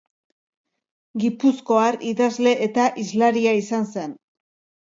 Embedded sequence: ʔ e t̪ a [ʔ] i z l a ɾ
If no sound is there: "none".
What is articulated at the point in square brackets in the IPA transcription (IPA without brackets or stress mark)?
ʔ